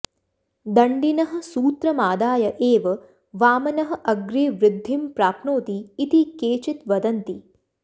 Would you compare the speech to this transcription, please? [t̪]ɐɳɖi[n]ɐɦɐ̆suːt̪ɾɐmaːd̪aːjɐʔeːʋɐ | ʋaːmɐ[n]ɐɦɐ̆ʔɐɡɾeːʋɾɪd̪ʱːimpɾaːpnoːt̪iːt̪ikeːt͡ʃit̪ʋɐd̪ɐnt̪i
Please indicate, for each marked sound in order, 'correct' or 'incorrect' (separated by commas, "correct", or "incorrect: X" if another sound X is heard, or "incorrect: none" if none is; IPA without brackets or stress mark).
incorrect: d̪, correct, correct